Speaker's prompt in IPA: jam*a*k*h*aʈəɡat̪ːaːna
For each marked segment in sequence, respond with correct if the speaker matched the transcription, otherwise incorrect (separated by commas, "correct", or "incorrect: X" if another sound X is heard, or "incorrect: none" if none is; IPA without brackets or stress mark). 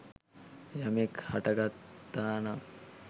incorrect: e, correct